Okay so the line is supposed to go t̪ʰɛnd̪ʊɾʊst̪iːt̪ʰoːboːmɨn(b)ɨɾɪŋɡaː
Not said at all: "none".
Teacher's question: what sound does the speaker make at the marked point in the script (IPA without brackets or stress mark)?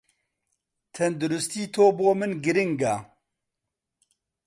ɡ